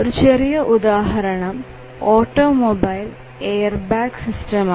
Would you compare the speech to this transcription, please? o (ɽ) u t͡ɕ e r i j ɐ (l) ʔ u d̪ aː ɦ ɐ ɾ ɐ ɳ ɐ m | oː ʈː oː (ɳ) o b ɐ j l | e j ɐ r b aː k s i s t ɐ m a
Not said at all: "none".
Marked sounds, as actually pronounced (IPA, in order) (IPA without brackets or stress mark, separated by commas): ɾ, none, m